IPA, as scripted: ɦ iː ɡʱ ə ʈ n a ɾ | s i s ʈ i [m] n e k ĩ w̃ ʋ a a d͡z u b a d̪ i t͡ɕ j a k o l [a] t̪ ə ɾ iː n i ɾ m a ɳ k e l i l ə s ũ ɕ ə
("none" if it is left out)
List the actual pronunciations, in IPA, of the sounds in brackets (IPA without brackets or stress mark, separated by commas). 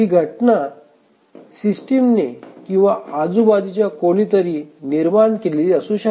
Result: m, i